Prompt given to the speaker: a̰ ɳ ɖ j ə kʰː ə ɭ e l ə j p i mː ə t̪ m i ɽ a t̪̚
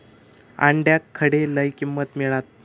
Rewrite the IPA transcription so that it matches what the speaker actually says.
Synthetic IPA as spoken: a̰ ɳ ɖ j a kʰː ə ɽ e l ə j k i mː ə t̪ m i ɭ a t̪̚